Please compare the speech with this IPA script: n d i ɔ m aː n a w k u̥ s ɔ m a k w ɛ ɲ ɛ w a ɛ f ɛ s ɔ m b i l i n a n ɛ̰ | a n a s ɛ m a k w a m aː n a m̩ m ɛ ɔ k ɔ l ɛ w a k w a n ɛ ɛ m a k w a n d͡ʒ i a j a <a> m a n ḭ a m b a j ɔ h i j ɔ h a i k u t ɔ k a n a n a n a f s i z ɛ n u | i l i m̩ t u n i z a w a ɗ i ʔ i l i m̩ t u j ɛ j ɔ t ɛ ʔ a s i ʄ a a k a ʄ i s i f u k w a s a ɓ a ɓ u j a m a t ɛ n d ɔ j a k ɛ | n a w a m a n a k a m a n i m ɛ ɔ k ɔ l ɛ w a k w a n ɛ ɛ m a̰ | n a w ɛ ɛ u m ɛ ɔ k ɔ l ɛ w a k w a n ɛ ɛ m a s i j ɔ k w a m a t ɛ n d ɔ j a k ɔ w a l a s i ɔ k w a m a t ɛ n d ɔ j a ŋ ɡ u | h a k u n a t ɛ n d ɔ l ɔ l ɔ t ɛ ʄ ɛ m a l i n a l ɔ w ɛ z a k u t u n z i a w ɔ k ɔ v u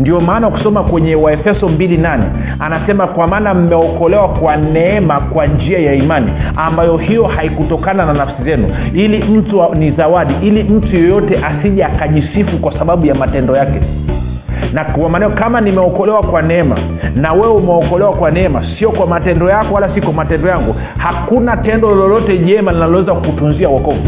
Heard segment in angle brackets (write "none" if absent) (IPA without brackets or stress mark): i